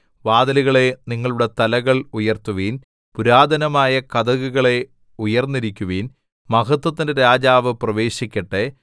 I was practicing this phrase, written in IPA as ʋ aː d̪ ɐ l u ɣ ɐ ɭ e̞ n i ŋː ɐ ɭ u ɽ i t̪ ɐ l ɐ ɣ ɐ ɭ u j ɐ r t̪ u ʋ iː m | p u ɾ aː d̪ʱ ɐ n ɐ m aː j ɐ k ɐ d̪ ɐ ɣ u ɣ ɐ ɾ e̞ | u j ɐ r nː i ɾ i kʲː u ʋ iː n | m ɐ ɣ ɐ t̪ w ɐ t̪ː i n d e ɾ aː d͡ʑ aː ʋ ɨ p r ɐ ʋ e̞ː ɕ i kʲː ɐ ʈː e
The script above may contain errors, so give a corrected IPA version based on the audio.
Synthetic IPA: ʋ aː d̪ ɐ l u ɣ ɐ ɭ e̞ n i ŋː ɐ ɭ u ɽ e t̪ ɐ l ɐ ɣ ɐ ɭ u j ɐ r t̪ u ʋ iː n | p u ɾ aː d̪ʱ ɐ n ɐ m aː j ɐ k ɐ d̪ ɐ ɣ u ɣ ɐ ɭ e̞ | u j ɐ r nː i ɾ i kʲː u ʋ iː n | m ɐ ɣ ɐ t̪ w ɐ t̪ː i n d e ɾ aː d͡ʑ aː ʋ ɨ p r ɐ ʋ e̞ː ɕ i kʲː ɐ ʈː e